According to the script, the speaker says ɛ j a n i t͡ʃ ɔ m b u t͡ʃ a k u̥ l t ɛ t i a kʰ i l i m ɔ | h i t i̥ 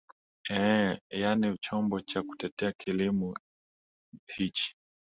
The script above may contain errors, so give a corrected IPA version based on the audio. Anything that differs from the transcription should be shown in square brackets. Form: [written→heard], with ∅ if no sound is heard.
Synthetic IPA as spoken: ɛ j a n i t͡ʃ ɔ m b [u→ɔ] t͡ʃ a k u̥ [l→∅] t ɛ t [i→ɛ] a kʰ i l i m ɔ | h i [t→t͡ʃ] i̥